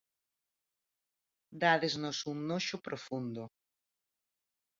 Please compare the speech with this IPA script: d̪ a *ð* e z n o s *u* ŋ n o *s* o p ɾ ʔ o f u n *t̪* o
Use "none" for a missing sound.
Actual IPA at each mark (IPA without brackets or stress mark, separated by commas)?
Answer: ð, u, ʃ, d̪